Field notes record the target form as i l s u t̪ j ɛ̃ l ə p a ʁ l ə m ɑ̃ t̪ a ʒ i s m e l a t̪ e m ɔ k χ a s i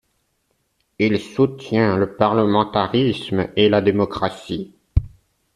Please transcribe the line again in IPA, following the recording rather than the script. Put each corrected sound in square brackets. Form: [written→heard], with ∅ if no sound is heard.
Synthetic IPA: i l s u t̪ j ɛ̃ l ə p a ʁ l ə m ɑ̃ t̪ a [ʒ→ʁ] i s m e l a [t̪→d̪] e m ɔ k χ a s i